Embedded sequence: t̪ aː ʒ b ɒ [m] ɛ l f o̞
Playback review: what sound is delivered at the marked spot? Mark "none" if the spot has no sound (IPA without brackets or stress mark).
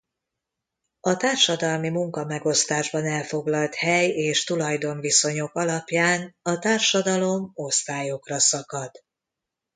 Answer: n